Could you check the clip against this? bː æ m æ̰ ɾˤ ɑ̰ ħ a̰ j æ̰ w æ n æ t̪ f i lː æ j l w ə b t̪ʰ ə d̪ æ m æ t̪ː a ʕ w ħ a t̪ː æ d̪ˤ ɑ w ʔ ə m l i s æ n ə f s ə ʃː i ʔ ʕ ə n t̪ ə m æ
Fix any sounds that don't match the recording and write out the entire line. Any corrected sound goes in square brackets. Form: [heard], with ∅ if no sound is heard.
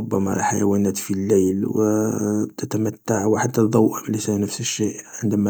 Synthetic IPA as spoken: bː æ m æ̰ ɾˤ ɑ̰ ħ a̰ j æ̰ w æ n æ t̪ f i lː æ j l w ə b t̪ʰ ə [t̪] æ m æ t̪ː a ʕ w ħ a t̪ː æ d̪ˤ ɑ w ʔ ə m l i s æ n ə f s ə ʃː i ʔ ʕ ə n [d̪] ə m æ

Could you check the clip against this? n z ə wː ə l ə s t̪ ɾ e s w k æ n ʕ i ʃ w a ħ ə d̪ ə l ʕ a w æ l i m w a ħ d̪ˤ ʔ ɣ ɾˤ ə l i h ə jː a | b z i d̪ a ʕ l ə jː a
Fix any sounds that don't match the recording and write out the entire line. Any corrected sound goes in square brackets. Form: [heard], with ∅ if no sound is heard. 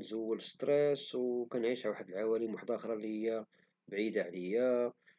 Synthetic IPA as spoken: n z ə wː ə l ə s t̪ ɾ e s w k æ n ʕ i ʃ w a ħ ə d̪ ə l ʕ a w æ l i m w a ħ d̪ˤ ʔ [x] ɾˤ [ɑ] l i h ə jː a | b [ʕ] i d̪ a ʕ l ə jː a

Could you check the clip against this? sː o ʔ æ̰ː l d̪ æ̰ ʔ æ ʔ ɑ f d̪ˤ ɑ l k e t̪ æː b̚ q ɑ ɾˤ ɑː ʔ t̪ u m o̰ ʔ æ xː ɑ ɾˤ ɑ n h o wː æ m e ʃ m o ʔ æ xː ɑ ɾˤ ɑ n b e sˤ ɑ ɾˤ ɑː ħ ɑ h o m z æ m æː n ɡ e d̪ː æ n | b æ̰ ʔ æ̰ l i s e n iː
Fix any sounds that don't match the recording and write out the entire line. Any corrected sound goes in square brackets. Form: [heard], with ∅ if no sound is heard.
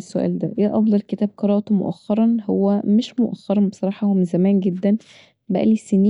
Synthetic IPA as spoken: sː o ʔ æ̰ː l d̪ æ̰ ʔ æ ʔ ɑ f d̪ˤ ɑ l k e t̪ æː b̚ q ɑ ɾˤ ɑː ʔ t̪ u m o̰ ʔ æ xː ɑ ɾˤ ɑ n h o wː æ m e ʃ m o ʔ æ xː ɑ ɾˤ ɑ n b e sˤ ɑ ɾˤ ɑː ħ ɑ h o m z æ m æː n ɡ e d̪ː æ n | b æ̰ ʔ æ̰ l i s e n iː

